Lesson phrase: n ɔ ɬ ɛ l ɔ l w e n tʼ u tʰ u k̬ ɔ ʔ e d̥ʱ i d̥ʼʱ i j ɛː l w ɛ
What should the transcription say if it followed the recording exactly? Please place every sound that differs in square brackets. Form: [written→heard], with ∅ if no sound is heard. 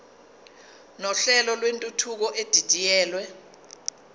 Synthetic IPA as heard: n ɔ ɬ ɛ l ɔ l w e n tʼ u tʰ u k̬ ɔ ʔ e d̥ʱ i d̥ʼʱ i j ɛː l w ɛ